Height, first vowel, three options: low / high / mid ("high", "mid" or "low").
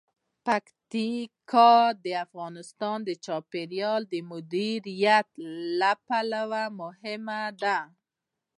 low